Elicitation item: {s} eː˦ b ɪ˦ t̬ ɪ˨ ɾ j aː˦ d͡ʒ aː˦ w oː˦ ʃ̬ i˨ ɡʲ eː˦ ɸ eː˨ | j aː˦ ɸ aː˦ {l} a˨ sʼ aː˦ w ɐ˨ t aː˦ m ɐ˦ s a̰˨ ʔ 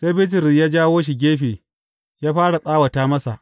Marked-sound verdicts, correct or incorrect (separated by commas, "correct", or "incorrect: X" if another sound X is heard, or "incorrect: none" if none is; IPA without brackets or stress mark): correct, incorrect: ɽ